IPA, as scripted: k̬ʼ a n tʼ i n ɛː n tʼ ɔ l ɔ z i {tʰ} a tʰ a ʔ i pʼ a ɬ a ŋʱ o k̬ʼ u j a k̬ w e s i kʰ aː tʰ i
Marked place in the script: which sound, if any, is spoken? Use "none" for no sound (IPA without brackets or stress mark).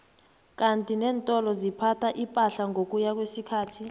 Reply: pʰ